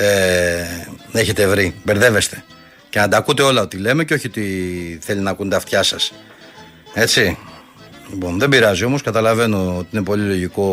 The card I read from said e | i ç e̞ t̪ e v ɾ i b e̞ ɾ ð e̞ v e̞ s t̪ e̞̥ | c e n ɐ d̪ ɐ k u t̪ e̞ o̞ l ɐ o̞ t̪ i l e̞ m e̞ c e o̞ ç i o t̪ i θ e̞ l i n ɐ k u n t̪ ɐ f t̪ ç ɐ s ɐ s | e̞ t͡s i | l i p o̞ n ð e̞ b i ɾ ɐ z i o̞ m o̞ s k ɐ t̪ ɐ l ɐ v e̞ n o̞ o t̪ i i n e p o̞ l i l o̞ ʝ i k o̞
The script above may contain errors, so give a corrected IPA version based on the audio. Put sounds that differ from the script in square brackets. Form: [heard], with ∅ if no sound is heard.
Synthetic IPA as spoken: e | [e] ç e̞ t̪ e v ɾ i b e̞ ɾ ð e̞ v e̞ s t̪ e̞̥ | c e n ɐ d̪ ɐ k u t̪ e̞ o̞ l ɐ o̞ t̪ i l e̞ m e̞ c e o̞ ç i o t̪ i θ e̞ l i n ɐ k u n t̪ ɐ f t̪ ç ɐ s ɐ s | e̞ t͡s i | l i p o̞ n ð e̞ b i ɾ ɐ z i o̞ m o̞ s k ɐ t̪ ɐ l ɐ v e̞ n o̞ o t̪ i i n e p o̞ l i l o̞ ʝ i k o̞